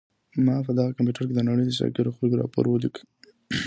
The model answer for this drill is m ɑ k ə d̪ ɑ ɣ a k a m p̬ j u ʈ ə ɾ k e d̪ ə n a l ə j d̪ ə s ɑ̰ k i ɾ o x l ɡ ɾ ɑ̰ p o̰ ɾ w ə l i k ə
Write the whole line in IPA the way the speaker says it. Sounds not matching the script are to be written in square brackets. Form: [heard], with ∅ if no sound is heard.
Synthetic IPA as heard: m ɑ [p] ə d̪ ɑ ɣ a k a m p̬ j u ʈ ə ɾ k e d̪ ə n a [ɽ] ə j d̪ ə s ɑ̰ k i ɾ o x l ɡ ɾ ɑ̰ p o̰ ɾ w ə l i k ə